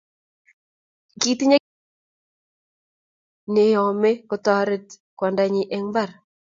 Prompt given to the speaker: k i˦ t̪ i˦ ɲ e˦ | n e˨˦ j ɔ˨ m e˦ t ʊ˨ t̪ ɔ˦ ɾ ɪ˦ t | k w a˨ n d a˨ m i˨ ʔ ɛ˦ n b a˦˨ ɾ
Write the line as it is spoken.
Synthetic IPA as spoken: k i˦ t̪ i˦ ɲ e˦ | n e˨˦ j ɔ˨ m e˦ k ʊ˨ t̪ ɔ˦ ɾ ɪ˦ t | k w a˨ n d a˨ ɲ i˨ ʔ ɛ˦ ŋ b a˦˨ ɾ